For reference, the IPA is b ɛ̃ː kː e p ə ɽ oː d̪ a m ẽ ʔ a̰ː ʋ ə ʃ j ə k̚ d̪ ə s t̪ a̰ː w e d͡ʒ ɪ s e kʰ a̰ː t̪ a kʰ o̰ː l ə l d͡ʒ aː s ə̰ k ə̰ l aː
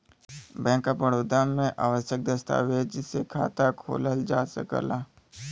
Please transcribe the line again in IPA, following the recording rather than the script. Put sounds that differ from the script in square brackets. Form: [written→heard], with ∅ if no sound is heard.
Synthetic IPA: b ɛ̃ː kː [e→a] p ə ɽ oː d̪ a m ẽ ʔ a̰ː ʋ ə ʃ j ə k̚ d̪ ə s t̪ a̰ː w e d͡ʒ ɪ s e kʰ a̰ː t̪ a kʰ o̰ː l ə l d͡ʒ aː s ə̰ k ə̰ l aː

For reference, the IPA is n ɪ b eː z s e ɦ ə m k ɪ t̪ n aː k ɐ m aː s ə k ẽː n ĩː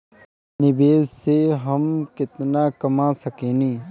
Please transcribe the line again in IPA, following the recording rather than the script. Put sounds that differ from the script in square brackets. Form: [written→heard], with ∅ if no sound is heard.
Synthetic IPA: n ɪ b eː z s e ɦ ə m k ɪ t̪ n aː k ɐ m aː s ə k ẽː n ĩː

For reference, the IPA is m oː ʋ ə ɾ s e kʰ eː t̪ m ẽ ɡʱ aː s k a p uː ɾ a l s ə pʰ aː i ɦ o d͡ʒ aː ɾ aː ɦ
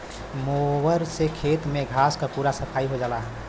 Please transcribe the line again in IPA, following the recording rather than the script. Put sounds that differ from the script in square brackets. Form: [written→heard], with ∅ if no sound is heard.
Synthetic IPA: m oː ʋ ə ɾ s e kʰ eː t̪ m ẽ ɡʱ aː s k a p uː ɾ a [l→∅] s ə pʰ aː i ɦ o d͡ʒ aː [ɾ→l] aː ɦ

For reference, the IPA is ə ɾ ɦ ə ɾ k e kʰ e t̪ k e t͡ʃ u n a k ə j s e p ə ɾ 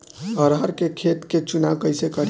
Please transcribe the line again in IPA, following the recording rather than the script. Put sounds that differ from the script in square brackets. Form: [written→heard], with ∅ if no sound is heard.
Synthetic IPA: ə ɾ ɦ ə ɾ k e kʰ e t̪ k e t͡ʃ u n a k ə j s e [p→k] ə ɾ

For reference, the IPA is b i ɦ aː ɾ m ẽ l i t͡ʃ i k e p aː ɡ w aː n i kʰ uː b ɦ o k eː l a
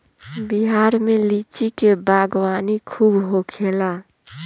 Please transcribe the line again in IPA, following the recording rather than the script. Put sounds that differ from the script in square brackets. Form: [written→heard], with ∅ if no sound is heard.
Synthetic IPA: b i ɦ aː ɾ m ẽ l i t͡ʃ i k e [p→b] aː ɡ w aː n i kʰ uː b ɦ o [k→kʰ] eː l a

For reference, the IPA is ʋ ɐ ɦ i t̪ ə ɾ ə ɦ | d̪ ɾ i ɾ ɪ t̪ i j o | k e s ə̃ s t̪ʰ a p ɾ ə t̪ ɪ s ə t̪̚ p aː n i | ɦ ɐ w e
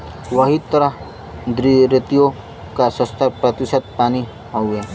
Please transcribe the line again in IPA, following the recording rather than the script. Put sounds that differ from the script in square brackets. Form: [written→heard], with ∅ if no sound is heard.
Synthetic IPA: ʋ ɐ ɦ i t̪ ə ɾ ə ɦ | d̪ ɾ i ɾ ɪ t̪ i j o | k [e→a] s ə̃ s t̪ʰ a p ɾ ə t̪ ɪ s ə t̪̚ p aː n i | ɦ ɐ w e

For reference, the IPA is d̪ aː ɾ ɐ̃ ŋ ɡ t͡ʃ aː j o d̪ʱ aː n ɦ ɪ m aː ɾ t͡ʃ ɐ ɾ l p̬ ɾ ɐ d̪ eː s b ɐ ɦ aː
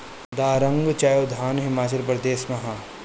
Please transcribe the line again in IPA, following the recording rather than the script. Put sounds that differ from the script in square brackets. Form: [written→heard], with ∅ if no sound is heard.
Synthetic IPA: d̪ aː ɾ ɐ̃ ŋ ɡ t͡ʃ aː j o d̪ʱ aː n ɦ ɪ m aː [ɾ→∅] t͡ʃ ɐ [ɾ→∅] l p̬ ɾ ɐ d̪ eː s [b→m] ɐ ɦ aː

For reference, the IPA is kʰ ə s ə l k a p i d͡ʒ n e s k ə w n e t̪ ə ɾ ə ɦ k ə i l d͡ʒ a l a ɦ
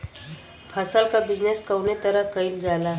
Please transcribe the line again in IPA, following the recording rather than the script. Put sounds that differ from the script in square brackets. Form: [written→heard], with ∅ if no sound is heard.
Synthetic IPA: [kʰ→pʰ] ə s ə l k a [p→b] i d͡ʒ n e s k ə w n e t̪ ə ɾ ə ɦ k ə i l d͡ʒ a l a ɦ

